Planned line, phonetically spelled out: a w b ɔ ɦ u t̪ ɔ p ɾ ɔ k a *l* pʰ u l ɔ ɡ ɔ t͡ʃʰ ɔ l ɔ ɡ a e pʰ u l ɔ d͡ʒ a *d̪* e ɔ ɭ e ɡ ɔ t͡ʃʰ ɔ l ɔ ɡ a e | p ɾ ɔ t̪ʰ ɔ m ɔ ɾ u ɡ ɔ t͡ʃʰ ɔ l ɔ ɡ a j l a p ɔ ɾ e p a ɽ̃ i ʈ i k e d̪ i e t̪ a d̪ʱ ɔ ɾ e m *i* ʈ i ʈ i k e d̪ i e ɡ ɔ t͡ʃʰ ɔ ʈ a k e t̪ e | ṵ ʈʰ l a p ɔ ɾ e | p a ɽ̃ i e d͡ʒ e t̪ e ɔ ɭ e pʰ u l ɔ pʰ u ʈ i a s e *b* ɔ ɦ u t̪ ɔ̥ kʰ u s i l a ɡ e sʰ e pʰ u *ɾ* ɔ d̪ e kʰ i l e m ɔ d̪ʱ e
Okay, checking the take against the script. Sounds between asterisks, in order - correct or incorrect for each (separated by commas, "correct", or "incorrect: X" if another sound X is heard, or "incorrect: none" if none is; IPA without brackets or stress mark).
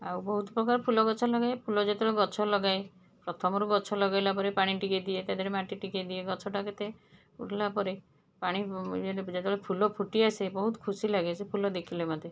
incorrect: ɾ, incorrect: t̪, incorrect: a, correct, incorrect: l